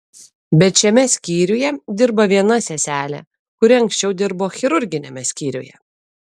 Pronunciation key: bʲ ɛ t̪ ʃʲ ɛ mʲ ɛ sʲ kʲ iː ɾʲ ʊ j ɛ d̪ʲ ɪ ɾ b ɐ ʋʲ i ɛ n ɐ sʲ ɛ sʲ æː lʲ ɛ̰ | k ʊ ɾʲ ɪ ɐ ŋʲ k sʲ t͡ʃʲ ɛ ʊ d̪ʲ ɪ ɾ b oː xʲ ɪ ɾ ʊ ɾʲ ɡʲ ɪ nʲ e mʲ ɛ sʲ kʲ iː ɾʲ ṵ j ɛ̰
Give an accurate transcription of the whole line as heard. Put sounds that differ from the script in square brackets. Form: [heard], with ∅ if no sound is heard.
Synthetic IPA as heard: bʲ ɛ t̪ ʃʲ ɛ mʲ ɛ sʲ kʲ iː ɾʲ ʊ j ɛ d̪ʲ ɪ ɾ b ɐ ʋʲ i ɛ n ɐ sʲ ɛ sʲ æː lʲ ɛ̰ | k ʊ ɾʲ ɪ ɐ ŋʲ k sʲ t͡ʃʲ ɛ ʊ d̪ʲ ɪ ɾ b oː xʲ ɪ ɾ ʊ ɾʲ ɡʲ ɪ nʲ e mʲ ɛ sʲ kʲ iː ɾʲ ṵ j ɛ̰